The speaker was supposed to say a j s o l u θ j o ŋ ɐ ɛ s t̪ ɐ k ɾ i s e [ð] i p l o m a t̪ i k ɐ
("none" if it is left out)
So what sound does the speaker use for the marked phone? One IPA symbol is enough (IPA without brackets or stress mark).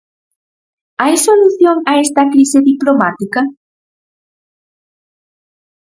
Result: ð